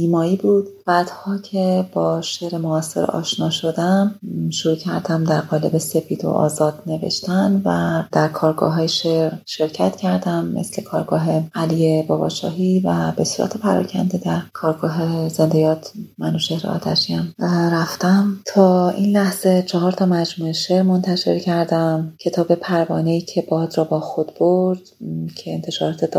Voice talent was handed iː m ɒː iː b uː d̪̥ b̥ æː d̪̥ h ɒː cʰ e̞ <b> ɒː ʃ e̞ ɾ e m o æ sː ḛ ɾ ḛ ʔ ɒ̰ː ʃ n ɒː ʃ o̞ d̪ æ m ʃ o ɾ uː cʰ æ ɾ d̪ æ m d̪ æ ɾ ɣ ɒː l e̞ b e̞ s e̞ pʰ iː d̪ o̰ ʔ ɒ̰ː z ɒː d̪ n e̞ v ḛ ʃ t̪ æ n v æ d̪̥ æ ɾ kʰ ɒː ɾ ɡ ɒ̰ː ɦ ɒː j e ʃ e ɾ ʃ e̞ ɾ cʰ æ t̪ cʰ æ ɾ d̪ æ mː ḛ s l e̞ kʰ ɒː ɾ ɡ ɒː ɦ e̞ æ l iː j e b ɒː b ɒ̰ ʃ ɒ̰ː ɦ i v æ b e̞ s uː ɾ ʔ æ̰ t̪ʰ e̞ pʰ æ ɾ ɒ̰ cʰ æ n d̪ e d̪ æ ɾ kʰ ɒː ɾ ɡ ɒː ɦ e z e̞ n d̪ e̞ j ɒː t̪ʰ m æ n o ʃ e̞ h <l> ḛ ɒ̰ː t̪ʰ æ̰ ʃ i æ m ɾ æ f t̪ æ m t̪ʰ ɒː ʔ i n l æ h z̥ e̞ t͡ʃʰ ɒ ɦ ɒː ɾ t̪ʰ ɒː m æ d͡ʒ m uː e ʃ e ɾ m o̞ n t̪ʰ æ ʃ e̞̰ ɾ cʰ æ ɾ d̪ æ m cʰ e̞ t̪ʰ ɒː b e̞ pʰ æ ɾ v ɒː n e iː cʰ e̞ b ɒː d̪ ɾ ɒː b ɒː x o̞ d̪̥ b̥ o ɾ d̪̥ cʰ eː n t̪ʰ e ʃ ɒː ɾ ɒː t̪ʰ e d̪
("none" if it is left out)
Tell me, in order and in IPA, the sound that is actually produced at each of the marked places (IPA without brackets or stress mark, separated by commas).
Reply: b, ɾ